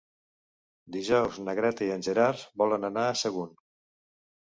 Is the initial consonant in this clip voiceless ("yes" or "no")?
no